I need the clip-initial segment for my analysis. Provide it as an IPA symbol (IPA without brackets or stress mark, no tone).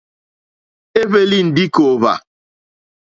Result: e